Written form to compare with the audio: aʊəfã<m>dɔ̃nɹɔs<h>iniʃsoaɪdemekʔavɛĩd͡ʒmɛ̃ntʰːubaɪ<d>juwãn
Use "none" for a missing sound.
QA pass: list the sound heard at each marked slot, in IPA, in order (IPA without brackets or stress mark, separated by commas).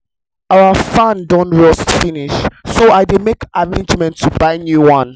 n, f, n